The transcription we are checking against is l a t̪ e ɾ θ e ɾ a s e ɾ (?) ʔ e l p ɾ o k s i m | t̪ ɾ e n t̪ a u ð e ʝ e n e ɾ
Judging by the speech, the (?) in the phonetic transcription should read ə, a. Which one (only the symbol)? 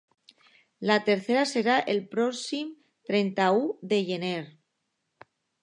a